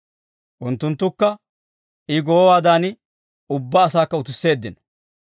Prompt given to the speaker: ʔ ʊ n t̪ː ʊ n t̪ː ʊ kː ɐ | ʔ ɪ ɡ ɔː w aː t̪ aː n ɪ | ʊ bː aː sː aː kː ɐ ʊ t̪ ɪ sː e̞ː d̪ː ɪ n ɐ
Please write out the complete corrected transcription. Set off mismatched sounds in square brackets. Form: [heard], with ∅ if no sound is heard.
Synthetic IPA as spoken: ʔ ʊ n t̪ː ʊ n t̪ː ʊ kː ɐ | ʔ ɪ ɡ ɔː w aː [d̪] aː n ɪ | ʊ bː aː [s] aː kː ɐ ʊ t̪ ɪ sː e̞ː d̪ː ɪ n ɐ

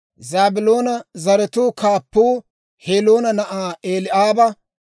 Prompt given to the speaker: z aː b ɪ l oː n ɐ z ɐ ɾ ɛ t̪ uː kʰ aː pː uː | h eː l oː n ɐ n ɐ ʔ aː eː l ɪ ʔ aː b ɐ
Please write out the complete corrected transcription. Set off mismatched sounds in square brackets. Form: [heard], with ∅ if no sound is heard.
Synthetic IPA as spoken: z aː b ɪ l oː n ɐ z ɐ ɾ ɛ t̪ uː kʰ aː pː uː | h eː l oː n ɐ n ɐ ʔ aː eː l ɪ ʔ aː b ɐ

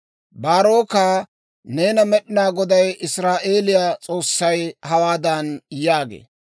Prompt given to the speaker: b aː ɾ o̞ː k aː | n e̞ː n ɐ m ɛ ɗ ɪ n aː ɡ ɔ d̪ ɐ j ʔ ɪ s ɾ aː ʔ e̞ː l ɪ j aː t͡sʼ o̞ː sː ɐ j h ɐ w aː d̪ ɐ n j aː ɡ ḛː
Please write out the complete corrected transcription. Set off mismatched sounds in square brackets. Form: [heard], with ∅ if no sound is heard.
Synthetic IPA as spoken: b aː ɾ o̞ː k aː | n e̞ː n ɐ m ɛ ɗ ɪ n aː ɡ ɔ d̪ ɐ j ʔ ɪ s ɾ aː ʔ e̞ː l ɪ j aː t͡sʼ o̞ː sː ɐ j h ɐ w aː d̪ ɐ n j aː ɡ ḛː

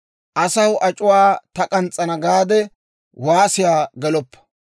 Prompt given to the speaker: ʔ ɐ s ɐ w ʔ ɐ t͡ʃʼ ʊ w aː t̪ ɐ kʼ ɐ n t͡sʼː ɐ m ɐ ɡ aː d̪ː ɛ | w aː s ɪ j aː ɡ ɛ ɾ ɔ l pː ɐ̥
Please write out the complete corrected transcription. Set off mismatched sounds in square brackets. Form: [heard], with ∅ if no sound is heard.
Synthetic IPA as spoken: ʔ ɐ s ɐ w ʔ ɐ t͡ʃʼ ʊ w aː t̪ ɐ kʼ ɐ n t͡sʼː ɐ [n] ɐ ɡ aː [d̪] ɛ | w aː s ɪ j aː ɡ ɛ [l] ɔ [∅] pː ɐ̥

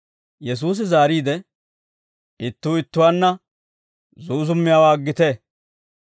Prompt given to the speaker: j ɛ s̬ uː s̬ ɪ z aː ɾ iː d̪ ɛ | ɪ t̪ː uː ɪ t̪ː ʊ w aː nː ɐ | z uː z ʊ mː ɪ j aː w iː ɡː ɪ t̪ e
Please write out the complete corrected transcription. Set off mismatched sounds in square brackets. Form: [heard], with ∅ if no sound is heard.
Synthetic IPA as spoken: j ɛ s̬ uː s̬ ɪ z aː ɾ iː d̪ ɛ | ɪ t̪ː uː ɪ t̪ː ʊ w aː nː ɐ | z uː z ʊ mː ɪ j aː w [aː] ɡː ɪ t̪ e

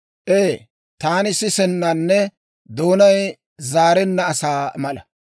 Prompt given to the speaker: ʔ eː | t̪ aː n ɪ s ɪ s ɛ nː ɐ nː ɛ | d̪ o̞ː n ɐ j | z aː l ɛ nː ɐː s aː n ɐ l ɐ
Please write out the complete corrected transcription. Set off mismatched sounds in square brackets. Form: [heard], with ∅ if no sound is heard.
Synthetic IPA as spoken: ʔ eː | t̪ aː n ɪ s ɪ s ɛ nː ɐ nː ɛ | d̪ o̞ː n ɐ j | z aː [ɾ] ɛ nː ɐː s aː [m] ɐ l ɐ

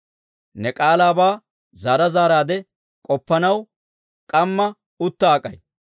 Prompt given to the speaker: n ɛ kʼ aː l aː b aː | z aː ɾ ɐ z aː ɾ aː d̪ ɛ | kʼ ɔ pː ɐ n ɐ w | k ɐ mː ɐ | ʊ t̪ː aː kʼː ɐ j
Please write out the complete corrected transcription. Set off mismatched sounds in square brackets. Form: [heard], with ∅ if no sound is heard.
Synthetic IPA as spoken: n ɛ kʼ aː l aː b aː | z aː ɾ ɐ z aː ɾ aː d̪ ɛ | kʼ ɔ pː ɐ n ɐ w | [kʼ] ɐ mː ɐ | ʊ t̪ː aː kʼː ɐ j

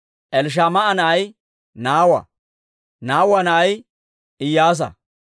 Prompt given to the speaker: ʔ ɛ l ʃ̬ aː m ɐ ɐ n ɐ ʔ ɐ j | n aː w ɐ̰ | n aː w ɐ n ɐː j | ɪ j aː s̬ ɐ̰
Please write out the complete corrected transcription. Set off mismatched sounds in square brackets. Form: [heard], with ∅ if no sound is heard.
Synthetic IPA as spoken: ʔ ɛ l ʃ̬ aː m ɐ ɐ n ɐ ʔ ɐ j | n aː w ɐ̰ | n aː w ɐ n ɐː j | ɪ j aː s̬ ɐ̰

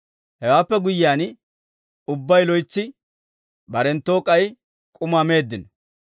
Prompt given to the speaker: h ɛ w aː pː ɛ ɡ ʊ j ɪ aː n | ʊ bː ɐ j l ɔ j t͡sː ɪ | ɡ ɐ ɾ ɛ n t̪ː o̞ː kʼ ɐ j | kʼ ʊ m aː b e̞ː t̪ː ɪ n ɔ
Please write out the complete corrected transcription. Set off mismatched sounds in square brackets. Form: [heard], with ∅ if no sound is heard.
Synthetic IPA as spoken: h ɛ w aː pː ɛ ɡ ʊ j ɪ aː n | ʊ bː ɐ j l ɔ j t͡sː ɪ | [b] ɐ ɾ ɛ n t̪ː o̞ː kʼ ɐ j | kʼ ʊ m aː [m] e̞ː [d̪ː] ɪ n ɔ

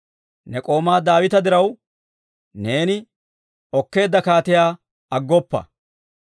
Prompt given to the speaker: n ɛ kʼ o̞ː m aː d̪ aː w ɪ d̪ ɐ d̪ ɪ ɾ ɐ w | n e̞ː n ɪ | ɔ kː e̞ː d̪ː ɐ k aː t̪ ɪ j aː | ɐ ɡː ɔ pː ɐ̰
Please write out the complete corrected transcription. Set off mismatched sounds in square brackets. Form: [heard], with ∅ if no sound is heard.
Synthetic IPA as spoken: n ɛ kʼ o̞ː m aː d̪ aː w ɪ [t̪] ɐ d̪ ɪ ɾ ɐ w | n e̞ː n ɪ | ɔ kː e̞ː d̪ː ɐ k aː t̪ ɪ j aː | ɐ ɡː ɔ pː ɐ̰

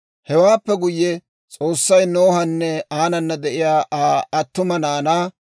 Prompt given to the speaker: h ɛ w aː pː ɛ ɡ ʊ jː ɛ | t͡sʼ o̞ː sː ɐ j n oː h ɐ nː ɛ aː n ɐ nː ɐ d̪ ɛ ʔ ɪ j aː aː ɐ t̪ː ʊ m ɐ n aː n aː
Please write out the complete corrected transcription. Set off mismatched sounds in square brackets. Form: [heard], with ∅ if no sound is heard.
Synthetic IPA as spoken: h ɛ w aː pː ɛ ɡ ʊ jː ɛ | t͡sʼ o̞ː sː ɐ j n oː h ɐ nː ɛ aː n ɐ nː ɐ d̪ ɛ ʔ ɪ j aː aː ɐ t̪ː ʊ m ɐ n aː n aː

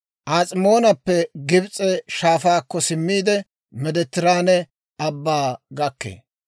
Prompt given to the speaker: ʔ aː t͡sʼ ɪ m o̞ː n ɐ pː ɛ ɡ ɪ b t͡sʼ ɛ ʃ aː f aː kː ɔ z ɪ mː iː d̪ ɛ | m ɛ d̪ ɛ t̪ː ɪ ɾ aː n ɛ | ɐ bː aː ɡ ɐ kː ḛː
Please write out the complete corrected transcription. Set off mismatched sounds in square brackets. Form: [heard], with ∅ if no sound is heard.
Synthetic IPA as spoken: ʔ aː t͡sʼ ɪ m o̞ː n ɐ pː ɛ ɡ ɪ b t͡sʼ ɛ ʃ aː f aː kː ɔ [s] ɪ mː iː d̪ ɛ | m ɛ d̪ ɛ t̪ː ɪ ɾ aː n ɛ | ɐ bː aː ɡ ɐ kː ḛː

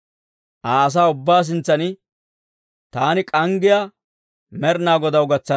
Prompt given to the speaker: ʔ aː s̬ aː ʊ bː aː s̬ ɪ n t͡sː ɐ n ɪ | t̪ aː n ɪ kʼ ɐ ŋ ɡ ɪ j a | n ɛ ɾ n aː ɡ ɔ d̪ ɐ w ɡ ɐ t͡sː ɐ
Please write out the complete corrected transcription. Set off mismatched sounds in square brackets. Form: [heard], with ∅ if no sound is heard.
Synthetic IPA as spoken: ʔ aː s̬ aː ʊ bː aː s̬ ɪ n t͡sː ɐ n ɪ | t̪ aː n ɪ kʼ ɐ ŋ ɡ ɪ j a | [m] ɛ ɾ n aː ɡ ɔ d̪ ɐ w ɡ ɐ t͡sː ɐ

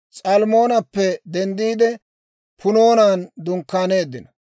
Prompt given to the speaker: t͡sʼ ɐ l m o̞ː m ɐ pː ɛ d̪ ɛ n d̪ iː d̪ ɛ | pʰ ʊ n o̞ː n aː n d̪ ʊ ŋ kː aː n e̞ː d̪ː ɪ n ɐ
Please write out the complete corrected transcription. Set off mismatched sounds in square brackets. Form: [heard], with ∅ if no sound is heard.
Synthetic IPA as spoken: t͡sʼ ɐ l m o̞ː [n] ɐ pː ɛ d̪ ɛ n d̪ iː d̪ ɛ | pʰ ʊ n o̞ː n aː n d̪ ʊ ŋ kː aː n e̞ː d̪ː ɪ n ɐ

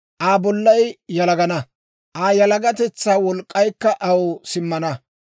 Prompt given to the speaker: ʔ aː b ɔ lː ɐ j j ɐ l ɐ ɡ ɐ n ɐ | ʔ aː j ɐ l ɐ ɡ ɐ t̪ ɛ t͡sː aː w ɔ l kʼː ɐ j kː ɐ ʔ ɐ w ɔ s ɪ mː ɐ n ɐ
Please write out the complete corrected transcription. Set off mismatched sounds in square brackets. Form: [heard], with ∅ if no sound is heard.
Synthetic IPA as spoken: ʔ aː b ɔ lː ɐ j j ɐ l ɐ ɡ ɐ n ɐ | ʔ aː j ɐ l ɐ ɡ ɐ t̪ ɛ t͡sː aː w ɔ l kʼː ɐ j kː ɐ ʔ ɐ w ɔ s ɪ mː ɐ n ɐ

